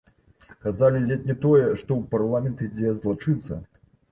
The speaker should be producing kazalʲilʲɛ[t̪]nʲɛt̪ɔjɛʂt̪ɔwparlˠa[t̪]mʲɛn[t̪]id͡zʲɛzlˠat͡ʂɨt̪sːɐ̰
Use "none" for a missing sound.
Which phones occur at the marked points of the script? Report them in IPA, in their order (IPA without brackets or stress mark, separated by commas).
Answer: t̪, none, t̪